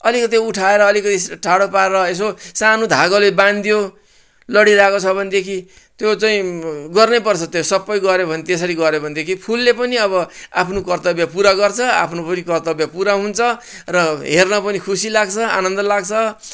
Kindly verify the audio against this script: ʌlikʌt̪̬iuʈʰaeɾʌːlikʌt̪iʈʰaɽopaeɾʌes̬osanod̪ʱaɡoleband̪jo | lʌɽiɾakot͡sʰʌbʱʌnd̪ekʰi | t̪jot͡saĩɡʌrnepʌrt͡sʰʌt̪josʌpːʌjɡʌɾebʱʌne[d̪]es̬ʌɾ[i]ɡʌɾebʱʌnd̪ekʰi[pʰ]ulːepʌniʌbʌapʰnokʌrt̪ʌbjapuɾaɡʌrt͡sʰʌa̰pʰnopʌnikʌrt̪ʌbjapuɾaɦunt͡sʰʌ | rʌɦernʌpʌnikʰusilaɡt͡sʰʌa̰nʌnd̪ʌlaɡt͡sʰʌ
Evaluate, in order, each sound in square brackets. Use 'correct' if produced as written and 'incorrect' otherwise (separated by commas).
incorrect, correct, correct